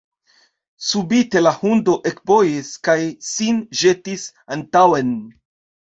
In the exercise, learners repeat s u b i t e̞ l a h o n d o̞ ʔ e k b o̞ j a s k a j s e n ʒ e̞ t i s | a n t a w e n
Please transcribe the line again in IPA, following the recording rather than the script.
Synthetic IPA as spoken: s u b i t e̞ l a h u n d o̞ ʔ e k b o̞ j i s k a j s i n ʒ e̞ t i s | a n t a w e n